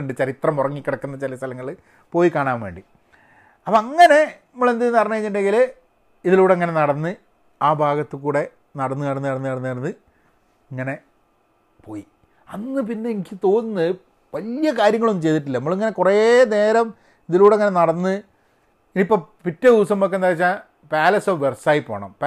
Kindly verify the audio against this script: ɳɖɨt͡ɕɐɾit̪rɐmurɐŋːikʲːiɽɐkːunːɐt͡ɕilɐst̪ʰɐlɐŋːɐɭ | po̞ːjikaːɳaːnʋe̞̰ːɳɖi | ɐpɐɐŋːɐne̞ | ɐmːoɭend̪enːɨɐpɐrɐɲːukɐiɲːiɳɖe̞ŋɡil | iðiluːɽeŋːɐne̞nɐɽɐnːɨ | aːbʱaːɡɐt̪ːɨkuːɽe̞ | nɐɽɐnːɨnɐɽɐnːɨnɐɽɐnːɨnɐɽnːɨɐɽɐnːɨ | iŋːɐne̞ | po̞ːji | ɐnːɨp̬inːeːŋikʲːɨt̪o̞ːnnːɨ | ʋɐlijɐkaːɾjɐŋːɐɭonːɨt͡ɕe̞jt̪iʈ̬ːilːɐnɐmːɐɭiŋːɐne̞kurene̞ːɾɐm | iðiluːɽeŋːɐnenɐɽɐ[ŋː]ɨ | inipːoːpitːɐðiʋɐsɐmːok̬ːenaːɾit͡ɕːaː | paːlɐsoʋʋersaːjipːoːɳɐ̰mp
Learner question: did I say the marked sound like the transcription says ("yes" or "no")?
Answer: no